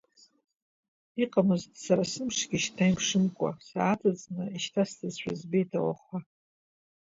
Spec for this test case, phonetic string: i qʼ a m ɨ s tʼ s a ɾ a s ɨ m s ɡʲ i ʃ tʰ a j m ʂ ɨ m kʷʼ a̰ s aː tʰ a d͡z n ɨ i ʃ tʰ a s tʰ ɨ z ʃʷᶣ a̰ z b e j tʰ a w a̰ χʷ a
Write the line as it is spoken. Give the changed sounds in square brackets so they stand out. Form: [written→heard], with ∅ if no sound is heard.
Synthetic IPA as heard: i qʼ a m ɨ [s→z] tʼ s a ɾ a s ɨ m [s→ʂ] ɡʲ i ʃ tʰ a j m ʂ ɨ m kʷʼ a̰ s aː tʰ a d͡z n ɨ i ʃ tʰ a s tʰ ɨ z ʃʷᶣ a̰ z b e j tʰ a w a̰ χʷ a